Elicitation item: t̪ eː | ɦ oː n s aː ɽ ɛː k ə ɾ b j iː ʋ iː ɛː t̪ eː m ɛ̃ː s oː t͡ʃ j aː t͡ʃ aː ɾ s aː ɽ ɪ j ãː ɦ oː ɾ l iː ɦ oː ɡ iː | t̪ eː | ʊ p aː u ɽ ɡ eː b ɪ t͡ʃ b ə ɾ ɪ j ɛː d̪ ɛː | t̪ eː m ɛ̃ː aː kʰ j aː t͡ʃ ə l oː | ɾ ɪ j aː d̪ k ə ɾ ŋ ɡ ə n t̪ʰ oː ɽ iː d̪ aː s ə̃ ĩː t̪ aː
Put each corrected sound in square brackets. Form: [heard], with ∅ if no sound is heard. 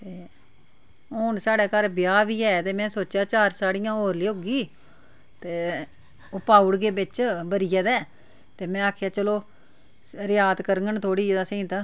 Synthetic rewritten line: t̪ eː | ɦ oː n s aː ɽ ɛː k ə ɾ b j [aː] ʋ iː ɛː t̪ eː m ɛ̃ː s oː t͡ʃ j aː t͡ʃ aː ɾ s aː ɽ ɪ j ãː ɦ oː ɾ l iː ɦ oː ɡ iː | t̪ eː | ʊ p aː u ɽ ɡ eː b ɪ t͡ʃ b ə ɾ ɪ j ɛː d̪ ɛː | t̪ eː m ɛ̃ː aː kʰ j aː t͡ʃ ə l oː | ɾ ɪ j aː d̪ k ə ɾ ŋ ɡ ə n t̪ʰ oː ɽ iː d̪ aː s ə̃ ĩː t̪ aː